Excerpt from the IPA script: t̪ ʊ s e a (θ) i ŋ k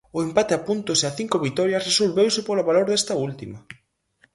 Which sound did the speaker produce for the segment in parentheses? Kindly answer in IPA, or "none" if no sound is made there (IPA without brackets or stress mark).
θ